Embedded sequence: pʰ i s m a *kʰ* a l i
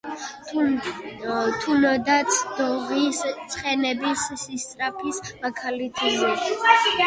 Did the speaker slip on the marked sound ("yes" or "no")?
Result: no